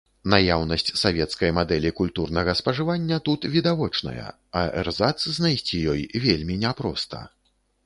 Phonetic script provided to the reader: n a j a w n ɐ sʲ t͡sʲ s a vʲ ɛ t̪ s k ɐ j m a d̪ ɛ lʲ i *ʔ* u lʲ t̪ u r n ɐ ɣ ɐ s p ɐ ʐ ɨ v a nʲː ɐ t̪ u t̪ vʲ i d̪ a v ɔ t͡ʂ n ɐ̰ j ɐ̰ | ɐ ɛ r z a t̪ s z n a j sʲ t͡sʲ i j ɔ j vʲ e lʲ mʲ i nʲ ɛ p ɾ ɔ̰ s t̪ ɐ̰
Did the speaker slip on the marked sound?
yes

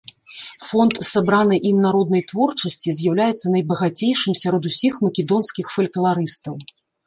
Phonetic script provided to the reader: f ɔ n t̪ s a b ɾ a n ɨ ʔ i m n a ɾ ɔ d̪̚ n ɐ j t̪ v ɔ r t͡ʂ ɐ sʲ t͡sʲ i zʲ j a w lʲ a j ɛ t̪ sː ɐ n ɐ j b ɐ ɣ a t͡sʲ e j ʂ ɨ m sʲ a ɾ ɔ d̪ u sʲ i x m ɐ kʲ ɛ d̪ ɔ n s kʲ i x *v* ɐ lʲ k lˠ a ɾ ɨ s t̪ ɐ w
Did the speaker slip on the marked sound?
yes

